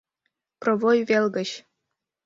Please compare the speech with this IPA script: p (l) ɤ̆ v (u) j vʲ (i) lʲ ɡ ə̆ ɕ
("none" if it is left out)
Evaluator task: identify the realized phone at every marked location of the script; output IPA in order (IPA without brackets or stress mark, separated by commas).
r, o, e